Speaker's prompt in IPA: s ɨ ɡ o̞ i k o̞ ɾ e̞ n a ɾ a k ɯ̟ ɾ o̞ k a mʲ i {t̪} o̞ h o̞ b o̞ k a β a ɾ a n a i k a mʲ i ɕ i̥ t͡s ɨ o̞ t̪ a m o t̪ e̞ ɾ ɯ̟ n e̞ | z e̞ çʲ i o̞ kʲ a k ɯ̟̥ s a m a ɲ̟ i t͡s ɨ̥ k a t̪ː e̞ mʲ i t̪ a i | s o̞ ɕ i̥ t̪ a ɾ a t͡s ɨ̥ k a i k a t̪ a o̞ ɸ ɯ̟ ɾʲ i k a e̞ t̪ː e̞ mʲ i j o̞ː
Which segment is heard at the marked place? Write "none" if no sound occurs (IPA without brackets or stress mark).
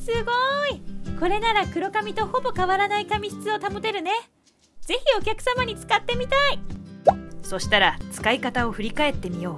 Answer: t̪